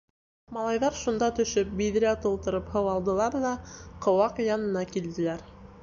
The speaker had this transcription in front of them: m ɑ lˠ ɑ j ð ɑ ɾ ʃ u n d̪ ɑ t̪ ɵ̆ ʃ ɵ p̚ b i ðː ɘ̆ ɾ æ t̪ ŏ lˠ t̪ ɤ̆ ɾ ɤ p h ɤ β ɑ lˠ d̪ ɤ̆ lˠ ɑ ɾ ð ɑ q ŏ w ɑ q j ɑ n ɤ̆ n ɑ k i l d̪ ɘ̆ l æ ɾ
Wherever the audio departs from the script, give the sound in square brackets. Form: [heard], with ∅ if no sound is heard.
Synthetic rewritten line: m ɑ lˠ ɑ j ð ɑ ɾ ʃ u n d̪ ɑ t̪ ɵ̆ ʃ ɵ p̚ b i [ð] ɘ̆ ɾ æ t̪ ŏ lˠ t̪ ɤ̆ ɾ ɤ p h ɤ [w] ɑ lˠ d̪ ɤ̆ lˠ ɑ ɾ ð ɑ q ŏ w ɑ q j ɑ n ɤ̆ n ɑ k i l d̪ ɘ̆ l æ ɾ